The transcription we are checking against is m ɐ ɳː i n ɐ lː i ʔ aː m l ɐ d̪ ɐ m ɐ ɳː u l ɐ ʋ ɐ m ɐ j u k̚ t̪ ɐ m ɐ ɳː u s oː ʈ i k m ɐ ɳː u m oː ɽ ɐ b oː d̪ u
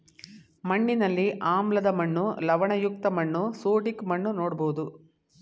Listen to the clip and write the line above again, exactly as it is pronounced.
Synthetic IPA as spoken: m ɐ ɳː i n ɐ lː i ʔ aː m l ɐ d̪ ɐ m ɐ ɳː u l ɐ ʋ ɐ ɳ ɐ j u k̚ t̪ ɐ m ɐ ɳː u s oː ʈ i k m ɐ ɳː u n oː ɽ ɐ b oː d̪ u

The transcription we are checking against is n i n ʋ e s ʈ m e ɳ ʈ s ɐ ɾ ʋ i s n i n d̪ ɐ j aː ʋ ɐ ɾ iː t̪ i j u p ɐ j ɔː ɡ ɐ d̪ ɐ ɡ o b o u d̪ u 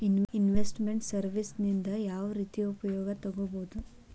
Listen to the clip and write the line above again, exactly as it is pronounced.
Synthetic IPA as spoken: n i n ʋ e s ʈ m e ɳ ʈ s ɐ ɾ ʋ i s n i n d̪ ɐ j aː ʋ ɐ ɾ iː t̪ i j u p ɐ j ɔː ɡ ɐ t̪ ɐ ɡ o b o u d̪ u

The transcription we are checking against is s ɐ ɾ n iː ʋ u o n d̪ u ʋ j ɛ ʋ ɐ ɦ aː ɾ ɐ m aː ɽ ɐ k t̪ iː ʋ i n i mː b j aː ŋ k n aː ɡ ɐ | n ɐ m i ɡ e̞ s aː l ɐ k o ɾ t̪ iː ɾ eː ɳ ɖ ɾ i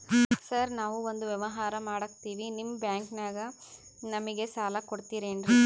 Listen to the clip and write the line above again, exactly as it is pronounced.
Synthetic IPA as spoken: s ɐ ɾ n aː ʋ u o n d̪ u ʋ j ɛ ʋ ɐ ɦ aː ɾ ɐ m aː ɽ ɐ k t̪ iː ʋ i n i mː b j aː ŋ k n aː ɡ ɐ | n ɐ m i ɡ e̞ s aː l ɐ k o ɽ t̪ iː ɾ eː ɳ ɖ ɾ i

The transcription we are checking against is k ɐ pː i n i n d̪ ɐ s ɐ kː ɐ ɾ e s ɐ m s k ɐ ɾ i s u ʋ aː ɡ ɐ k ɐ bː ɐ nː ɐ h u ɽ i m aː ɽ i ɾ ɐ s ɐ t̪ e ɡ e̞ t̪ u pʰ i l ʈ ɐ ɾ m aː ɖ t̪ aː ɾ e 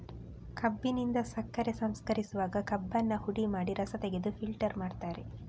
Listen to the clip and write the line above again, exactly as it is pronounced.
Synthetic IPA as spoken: k ɐ bː i n i n d̪ ɐ s ɐ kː ɐ ɾ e s ɐ m s k ɐ ɾ i s u ʋ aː ɡ ɐ k ɐ bː ɐ nː ɐ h u ɽ i m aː ɽ i ɾ ɐ s ɐ t̪ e ɡ e̞ d̪ u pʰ i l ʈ ɐ ɾ m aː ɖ t̪ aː ɾ e

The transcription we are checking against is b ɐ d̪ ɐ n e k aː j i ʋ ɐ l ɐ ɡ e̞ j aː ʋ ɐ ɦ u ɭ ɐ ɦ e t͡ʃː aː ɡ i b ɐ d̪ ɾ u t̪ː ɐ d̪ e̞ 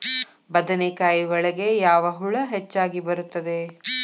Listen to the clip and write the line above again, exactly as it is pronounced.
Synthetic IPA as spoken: b ɐ d̪ ɐ n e k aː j i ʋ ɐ ɭ ɐ ɡ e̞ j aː ʋ ɐ ɦ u ɭ ɐ ɦ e t͡ʃː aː ɡ i b ɐ ɾ u t̪ː ɐ d̪ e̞

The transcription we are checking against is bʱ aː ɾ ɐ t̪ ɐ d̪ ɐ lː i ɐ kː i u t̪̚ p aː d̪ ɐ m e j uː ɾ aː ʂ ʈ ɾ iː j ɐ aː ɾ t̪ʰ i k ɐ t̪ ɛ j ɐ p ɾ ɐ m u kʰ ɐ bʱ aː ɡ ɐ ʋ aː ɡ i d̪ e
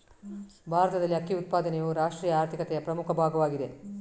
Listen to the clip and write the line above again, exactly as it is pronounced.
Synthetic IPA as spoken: bʱ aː ɾ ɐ t̪ ɐ d̪ ɐ lː i ɐ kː i u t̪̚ p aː d̪ ɐ n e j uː ɾ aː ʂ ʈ ɾ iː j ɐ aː ɾ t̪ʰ i k ɐ t̪ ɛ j ɐ p ɾ ɐ m u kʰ ɐ bʱ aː ɡ ɐ ʋ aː ɡ i d̪ e

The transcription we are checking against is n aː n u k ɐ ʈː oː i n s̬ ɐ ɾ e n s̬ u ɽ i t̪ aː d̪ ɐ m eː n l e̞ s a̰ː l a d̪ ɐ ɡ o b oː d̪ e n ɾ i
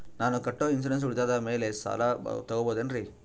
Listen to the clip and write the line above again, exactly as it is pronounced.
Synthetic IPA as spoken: n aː n u k ɐ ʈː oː i n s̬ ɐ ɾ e n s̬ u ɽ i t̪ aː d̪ ɐ m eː l e̞ s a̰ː l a t̪ ɐ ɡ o b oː d̪ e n ɾ i

